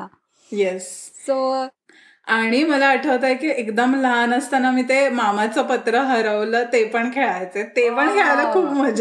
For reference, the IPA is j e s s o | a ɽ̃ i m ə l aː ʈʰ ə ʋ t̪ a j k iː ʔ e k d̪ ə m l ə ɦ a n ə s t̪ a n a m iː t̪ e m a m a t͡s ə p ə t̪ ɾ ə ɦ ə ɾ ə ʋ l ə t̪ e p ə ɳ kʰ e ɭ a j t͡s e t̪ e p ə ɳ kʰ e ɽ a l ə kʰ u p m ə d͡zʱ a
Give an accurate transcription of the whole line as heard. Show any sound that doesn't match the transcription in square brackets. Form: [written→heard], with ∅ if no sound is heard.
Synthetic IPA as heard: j e s s o | a ɽ̃ i m ə l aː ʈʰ ə ʋ t̪ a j k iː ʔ e k d̪ ə m l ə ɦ a n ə s t̪ a n a m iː t̪ e m a m a t͡s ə p ə t̪ ɾ ə ɦ ə ɾ ə ʋ l ə t̪ e p ə ɳ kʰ e ɭ a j t͡s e t̪ e p ə ɳ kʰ e [ɽ→ɭ] a l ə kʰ [u→uː] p m ə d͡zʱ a